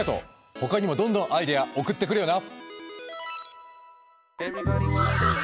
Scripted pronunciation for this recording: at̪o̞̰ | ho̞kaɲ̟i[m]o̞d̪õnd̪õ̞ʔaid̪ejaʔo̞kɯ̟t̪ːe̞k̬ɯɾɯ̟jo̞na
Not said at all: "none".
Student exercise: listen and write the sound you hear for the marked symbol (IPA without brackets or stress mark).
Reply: m